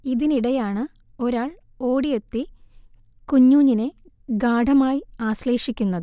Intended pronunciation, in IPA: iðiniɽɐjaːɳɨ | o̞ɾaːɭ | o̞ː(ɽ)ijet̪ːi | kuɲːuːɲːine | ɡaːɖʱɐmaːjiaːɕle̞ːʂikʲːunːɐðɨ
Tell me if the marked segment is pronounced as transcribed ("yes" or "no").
yes